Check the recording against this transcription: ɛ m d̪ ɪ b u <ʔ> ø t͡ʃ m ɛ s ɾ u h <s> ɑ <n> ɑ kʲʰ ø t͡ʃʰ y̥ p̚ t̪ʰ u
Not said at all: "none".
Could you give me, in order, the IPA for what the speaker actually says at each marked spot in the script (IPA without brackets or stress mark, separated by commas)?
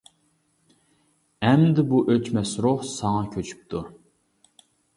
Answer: ʔ, s, ŋ